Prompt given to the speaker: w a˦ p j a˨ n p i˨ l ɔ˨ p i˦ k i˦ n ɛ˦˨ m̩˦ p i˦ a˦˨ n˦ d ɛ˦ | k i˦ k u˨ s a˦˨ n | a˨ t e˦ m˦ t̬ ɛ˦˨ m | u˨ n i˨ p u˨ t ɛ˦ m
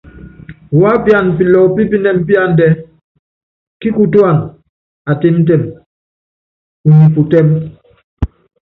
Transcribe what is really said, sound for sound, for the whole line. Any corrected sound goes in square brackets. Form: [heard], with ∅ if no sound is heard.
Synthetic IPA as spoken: w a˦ p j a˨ n p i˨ l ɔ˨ p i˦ [p] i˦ n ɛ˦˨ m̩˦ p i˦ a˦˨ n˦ d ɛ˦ | k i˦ k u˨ [t] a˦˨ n | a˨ t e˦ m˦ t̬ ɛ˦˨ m | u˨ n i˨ p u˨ t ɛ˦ m